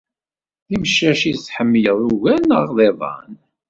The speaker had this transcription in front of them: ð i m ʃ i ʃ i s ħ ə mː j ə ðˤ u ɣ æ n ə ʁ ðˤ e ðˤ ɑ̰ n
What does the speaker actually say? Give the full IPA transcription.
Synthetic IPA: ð i m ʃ æ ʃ i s ħ ə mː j ə ðˤ u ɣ æ n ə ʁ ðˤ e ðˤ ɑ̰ n